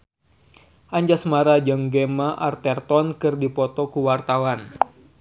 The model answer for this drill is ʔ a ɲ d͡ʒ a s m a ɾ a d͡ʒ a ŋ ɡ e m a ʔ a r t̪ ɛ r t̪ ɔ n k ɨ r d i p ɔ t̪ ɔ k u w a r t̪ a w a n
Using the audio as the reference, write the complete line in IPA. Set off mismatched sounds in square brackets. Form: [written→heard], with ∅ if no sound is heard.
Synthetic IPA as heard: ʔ a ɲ d͡ʒ a s m a ɾ a d͡ʒ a ŋ ɡ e m a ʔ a r t̪ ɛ r t̪ ɔ n k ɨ r d i p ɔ t̪ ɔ k u w a r t̪ a w a n